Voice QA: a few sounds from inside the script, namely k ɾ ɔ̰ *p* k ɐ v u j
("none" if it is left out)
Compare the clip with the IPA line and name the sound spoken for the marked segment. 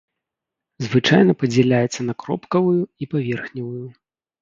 p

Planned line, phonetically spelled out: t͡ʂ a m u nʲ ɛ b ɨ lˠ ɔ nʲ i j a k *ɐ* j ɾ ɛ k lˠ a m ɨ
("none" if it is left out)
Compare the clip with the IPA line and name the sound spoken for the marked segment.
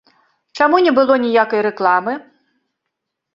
ɐ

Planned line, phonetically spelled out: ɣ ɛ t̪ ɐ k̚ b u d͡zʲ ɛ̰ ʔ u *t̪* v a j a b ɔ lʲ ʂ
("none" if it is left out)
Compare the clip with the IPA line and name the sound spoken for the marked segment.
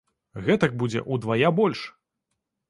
d̪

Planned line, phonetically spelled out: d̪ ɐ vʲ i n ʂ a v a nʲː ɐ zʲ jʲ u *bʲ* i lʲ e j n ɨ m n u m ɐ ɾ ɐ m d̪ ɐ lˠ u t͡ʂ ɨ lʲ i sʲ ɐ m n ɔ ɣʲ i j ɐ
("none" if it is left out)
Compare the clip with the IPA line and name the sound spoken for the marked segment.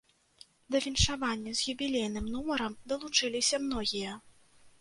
bʲ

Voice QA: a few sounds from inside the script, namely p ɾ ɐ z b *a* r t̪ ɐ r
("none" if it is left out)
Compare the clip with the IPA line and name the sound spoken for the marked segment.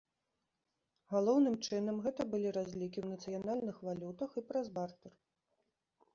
a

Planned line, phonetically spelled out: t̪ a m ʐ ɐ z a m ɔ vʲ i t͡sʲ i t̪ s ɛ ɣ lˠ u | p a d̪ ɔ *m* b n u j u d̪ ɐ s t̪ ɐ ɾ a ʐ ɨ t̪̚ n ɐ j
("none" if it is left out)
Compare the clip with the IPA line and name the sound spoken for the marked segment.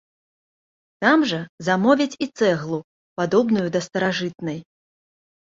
none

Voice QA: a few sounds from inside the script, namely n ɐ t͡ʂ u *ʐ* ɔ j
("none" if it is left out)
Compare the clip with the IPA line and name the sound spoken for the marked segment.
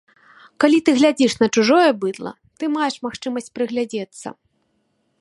ʐ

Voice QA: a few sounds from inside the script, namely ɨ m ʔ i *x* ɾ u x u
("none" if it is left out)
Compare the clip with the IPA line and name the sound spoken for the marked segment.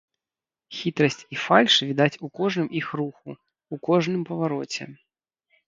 x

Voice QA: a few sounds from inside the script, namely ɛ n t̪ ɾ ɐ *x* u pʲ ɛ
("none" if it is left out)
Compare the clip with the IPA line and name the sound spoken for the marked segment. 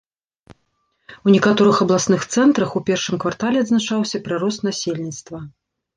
x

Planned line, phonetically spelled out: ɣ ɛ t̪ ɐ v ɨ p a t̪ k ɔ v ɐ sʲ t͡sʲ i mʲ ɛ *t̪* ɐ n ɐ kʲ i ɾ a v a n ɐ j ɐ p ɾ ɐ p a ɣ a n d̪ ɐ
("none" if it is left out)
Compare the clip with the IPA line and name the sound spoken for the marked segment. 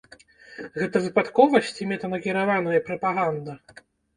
t̪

